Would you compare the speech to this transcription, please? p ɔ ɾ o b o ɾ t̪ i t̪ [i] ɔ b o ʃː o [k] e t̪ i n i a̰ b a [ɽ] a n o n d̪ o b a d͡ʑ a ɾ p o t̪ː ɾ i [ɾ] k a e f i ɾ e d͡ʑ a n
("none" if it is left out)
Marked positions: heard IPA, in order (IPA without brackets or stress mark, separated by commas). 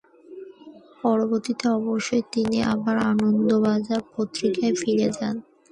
e, none, ɾ, none